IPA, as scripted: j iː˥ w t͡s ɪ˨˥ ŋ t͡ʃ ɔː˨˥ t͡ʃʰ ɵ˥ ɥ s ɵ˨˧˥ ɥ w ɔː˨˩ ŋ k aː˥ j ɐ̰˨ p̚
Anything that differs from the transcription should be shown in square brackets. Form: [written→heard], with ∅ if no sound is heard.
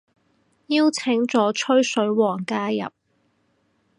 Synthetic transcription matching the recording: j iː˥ w [t͡s→t͡sʰ] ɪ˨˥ ŋ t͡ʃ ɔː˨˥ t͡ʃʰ ɵ˥ ɥ s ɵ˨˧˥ ɥ w ɔː˨˩ ŋ k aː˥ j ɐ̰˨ p̚